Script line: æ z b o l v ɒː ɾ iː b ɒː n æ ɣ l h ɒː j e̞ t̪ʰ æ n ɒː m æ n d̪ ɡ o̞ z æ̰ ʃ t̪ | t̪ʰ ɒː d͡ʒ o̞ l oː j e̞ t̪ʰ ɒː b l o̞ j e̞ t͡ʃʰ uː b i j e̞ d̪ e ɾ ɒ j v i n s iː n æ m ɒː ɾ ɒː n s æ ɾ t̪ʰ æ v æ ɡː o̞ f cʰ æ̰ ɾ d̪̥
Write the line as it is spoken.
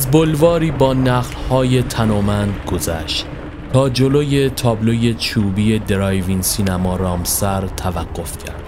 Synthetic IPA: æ z b o l v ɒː ɾ iː b ɒː n æ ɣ l h ɒː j e̞ t̪ʰ æ n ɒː m æ n d̪ ɡ o̞ z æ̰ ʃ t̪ | t̪ʰ ɒː d͡ʒ o̞ l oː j e̞ t̪ʰ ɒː b l o̞ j e̞ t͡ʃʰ uː b i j e̞ d̪ e ɾ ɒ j v i n s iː n æ m ɒː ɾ ɒː m s æ ɾ t̪ʰ æ v æ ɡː o̞ f cʰ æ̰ ɾ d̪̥